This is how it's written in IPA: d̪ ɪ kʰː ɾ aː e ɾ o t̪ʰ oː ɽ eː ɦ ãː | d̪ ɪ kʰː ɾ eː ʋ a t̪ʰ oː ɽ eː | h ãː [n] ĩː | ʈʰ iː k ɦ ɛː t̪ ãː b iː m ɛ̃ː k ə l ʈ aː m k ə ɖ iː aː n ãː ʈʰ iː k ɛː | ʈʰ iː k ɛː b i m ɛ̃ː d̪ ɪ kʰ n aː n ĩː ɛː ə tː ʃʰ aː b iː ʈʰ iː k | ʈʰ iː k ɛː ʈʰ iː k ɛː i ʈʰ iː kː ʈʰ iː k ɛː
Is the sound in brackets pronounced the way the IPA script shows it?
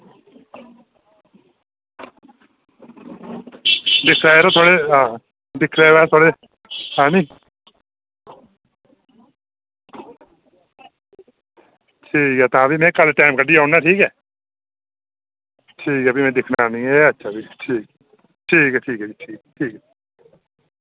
yes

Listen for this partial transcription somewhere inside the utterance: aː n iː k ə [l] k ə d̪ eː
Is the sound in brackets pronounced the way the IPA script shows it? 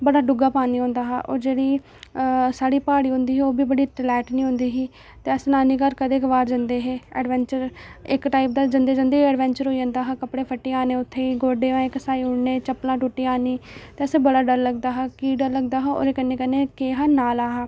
no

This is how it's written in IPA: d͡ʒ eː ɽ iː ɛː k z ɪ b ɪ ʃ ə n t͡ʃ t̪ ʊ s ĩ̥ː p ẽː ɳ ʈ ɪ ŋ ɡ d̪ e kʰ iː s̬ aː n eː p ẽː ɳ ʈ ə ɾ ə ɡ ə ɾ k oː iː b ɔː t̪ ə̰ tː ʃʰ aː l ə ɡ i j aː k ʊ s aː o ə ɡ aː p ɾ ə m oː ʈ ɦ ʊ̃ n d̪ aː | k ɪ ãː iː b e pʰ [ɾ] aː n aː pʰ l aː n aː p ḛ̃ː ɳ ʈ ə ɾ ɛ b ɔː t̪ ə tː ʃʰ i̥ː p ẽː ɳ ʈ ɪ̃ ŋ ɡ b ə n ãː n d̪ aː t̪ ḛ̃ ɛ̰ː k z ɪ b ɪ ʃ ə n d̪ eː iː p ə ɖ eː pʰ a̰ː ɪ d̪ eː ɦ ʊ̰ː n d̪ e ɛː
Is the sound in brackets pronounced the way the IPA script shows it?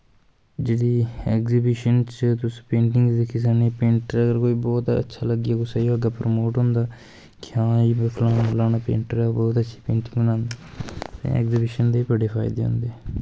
no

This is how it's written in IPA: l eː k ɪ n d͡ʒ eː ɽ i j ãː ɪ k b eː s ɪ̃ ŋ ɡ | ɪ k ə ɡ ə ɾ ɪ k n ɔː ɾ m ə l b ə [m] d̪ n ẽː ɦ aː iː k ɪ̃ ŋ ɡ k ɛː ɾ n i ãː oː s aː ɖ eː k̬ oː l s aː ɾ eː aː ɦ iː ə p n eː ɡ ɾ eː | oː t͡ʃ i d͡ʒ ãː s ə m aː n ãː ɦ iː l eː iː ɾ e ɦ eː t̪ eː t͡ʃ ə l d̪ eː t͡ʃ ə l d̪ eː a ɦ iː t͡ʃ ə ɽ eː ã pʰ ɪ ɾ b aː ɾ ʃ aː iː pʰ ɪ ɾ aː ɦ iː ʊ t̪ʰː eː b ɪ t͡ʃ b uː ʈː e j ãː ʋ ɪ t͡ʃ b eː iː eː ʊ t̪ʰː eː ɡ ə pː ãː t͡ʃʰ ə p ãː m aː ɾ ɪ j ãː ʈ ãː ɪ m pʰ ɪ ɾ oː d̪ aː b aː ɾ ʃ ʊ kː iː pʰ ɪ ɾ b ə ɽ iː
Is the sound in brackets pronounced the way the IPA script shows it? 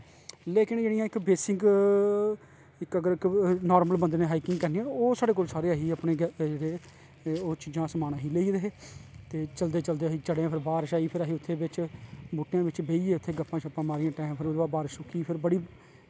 no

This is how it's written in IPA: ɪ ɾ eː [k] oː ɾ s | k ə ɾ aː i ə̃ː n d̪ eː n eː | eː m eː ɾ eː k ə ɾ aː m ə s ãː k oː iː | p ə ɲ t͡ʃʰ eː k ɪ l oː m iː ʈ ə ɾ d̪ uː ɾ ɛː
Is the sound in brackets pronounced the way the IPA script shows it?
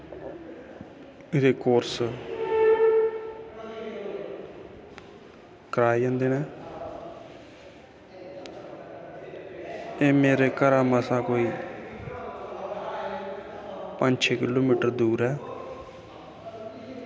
yes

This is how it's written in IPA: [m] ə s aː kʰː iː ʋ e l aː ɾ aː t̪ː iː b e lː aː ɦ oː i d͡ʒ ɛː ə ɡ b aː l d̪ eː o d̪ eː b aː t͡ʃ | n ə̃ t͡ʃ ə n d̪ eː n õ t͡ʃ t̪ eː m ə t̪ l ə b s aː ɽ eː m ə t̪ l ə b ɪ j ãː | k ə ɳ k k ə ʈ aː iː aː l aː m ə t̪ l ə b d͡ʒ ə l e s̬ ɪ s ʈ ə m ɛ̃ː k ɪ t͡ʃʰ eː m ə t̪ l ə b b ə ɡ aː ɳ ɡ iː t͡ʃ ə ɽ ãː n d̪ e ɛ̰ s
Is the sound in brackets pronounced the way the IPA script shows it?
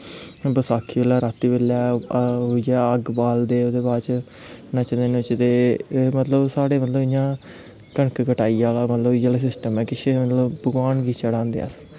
no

